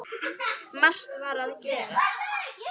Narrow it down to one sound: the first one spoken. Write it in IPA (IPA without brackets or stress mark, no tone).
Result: m